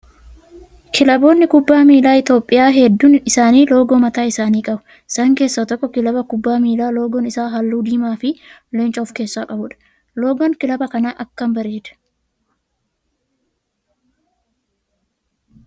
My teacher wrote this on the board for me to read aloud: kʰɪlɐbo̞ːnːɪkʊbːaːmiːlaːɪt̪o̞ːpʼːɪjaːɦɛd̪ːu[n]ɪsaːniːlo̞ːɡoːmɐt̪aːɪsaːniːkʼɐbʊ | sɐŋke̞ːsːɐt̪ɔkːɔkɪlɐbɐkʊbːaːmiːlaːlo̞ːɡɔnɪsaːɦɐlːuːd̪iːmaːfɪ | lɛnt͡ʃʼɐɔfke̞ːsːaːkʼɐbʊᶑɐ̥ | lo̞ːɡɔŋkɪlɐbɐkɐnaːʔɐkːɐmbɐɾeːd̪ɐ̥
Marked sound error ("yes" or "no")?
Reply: no